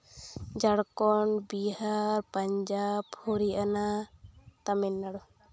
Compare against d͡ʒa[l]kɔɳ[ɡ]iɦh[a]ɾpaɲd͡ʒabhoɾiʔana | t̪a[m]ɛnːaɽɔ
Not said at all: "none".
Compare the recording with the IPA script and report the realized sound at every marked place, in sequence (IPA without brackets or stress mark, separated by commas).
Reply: ɽ, b, a, m